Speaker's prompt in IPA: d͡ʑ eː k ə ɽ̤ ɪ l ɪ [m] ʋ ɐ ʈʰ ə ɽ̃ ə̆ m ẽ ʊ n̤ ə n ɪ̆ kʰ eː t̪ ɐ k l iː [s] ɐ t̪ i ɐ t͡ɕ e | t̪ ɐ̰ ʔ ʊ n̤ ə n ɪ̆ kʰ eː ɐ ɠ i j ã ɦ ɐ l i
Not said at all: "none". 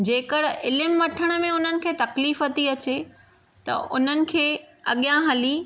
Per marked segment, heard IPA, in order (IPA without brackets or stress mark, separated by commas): m, f